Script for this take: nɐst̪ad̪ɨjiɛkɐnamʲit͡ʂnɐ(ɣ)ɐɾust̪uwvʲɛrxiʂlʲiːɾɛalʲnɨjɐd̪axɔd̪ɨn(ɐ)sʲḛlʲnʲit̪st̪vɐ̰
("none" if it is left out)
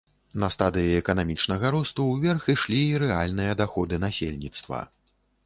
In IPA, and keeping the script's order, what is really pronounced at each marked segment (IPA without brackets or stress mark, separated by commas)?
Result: ɣ, a